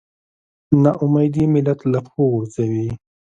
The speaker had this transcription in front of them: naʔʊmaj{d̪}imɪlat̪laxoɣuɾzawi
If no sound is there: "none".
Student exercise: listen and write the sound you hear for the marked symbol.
d̪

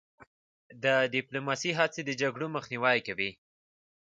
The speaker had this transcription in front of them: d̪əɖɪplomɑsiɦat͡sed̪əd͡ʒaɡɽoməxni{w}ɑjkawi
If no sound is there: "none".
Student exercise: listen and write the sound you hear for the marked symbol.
w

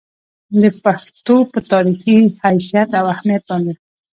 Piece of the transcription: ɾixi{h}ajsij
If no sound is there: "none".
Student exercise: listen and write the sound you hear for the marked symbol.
h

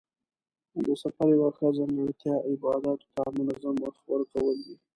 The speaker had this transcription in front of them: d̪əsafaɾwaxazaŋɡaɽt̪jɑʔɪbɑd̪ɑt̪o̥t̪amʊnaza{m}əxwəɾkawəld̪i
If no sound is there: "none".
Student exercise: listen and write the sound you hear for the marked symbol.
m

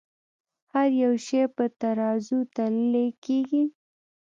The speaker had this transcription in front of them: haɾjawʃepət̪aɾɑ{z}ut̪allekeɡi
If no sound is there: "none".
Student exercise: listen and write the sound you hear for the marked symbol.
z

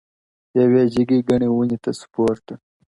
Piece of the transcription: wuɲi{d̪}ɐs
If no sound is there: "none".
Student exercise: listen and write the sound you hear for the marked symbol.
t̪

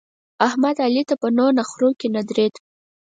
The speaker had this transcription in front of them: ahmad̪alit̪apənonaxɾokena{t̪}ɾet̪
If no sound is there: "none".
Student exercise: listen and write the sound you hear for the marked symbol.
d̪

